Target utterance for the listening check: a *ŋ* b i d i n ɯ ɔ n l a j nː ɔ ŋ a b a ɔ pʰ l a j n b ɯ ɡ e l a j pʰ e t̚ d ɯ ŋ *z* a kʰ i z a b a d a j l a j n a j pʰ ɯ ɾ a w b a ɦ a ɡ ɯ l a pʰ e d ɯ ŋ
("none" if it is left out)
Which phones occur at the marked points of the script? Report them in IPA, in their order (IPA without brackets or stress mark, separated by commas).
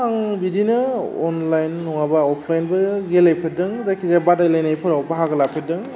ŋ, z